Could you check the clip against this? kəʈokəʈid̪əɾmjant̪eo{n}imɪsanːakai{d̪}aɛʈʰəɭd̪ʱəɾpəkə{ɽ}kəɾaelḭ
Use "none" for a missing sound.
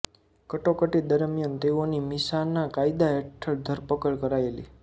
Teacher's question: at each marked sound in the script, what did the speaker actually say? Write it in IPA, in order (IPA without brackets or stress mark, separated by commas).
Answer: n, d̪, ɭ